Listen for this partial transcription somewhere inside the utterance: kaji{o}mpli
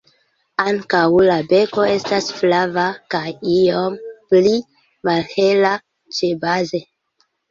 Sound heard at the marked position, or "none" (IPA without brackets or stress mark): o